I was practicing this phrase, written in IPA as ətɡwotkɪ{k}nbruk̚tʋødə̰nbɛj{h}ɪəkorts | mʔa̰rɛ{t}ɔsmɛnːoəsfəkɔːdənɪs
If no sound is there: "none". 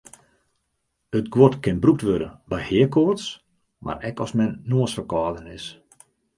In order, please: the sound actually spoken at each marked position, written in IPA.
none, h, k

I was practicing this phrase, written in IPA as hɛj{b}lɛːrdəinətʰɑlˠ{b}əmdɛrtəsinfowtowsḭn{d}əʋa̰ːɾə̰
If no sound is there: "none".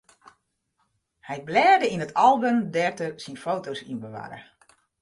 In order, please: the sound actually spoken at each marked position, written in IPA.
b, b, b

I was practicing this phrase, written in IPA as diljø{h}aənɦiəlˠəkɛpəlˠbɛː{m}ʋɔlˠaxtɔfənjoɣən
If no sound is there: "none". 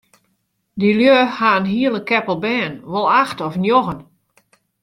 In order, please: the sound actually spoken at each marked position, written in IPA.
h, n

